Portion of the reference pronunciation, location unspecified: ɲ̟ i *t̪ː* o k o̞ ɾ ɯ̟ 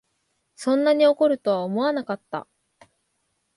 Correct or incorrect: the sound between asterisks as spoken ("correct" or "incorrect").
incorrect